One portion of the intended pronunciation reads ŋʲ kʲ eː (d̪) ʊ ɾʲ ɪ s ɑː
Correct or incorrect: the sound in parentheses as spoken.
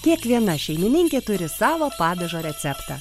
incorrect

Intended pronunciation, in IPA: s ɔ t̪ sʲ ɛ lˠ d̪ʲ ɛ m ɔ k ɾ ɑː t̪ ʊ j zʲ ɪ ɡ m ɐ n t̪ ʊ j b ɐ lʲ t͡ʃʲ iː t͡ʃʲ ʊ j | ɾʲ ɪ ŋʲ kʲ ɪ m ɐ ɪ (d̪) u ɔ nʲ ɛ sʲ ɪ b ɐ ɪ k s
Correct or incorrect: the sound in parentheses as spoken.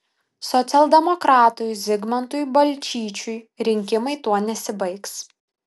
incorrect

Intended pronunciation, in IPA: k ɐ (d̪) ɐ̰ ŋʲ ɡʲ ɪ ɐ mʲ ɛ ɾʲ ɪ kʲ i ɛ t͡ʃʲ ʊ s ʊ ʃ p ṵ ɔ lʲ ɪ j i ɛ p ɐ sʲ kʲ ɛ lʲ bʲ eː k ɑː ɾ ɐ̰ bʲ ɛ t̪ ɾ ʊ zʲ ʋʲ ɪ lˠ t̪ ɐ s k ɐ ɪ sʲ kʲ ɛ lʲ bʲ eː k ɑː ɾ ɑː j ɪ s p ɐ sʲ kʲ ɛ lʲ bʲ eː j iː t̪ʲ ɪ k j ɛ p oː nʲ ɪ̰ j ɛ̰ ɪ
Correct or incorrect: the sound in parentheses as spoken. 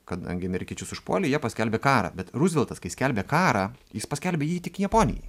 correct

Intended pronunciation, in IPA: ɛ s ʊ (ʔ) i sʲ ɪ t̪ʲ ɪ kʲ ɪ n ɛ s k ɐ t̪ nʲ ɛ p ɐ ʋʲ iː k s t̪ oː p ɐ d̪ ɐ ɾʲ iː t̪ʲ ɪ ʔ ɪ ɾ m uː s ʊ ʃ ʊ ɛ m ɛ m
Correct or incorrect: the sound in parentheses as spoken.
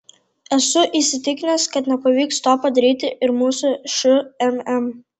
correct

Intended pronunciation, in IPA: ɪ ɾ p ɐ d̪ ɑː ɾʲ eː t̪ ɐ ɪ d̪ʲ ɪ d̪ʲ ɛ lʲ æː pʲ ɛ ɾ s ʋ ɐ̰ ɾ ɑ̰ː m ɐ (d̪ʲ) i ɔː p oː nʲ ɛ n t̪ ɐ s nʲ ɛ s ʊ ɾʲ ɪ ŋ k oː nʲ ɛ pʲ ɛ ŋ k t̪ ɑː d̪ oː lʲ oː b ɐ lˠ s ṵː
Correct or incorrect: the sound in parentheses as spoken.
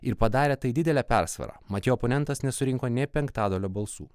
incorrect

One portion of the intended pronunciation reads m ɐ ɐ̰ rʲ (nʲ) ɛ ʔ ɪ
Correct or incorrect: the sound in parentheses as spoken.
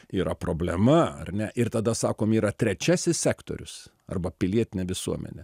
correct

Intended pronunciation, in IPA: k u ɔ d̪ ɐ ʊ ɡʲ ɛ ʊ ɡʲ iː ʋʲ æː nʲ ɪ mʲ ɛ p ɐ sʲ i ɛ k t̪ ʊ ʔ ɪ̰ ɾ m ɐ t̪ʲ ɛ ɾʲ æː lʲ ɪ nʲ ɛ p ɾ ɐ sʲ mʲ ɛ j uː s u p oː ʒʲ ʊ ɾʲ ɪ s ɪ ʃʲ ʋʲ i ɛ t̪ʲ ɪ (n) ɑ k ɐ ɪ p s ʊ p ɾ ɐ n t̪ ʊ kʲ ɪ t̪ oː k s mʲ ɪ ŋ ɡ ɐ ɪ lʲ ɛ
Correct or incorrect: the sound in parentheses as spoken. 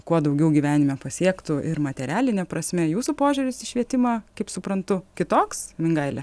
incorrect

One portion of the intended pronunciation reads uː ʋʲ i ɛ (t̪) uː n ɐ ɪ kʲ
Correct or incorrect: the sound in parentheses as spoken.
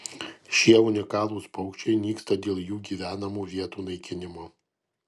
correct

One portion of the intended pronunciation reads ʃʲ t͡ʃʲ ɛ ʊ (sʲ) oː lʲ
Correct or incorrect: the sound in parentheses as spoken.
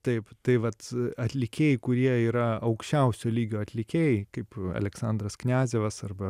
correct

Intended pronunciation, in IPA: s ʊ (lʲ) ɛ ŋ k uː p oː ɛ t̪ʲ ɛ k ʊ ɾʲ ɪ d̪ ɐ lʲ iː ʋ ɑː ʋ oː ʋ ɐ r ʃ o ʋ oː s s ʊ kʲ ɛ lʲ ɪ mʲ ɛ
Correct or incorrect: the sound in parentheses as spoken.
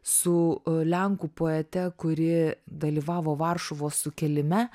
correct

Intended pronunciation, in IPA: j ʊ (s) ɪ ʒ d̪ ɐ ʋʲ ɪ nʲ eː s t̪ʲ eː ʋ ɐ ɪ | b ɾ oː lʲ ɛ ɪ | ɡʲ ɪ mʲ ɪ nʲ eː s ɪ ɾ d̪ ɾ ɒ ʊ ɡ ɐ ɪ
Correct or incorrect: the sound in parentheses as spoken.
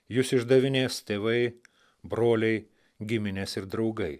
correct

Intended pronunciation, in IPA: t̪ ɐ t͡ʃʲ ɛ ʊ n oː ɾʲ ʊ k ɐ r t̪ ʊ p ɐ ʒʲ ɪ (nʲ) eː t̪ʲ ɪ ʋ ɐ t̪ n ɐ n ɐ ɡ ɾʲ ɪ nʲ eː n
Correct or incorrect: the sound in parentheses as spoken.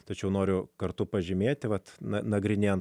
incorrect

